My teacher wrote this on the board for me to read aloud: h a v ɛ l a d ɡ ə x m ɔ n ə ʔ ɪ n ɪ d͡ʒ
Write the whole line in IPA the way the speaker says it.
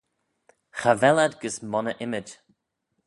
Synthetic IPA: x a v ɛ l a d ɡ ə s m ɔ n ə ʔ ɪ m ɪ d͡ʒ

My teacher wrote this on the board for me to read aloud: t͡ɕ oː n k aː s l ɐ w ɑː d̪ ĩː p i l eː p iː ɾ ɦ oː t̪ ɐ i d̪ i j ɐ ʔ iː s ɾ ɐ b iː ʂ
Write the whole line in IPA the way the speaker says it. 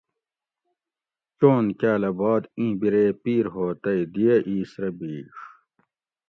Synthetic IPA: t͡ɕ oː n k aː l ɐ b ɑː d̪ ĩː b i ɾ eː p iː ɾ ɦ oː t̪ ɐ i d̪ i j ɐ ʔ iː s ɾ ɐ b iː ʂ

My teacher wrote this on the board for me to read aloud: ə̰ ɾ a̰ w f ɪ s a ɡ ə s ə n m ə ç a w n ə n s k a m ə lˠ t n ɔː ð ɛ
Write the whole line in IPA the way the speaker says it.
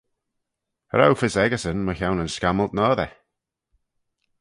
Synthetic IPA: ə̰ ɾ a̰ w f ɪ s ɛ ɡ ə s ə n m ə ç a w n ə n s k a m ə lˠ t n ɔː ð ɛ

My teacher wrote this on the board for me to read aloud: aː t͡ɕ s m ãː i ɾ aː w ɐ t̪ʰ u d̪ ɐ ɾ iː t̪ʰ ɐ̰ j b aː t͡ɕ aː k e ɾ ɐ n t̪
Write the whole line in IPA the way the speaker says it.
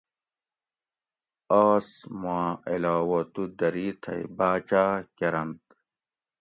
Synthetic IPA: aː s m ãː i l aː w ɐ t̪ u d̪ ɐ ɾ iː t̪ʰ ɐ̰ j b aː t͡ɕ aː k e ɾ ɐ n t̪

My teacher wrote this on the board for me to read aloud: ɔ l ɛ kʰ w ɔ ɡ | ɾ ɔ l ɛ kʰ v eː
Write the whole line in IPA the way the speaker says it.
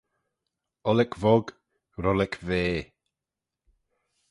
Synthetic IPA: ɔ l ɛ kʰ v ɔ ɡ | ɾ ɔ l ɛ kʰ v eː

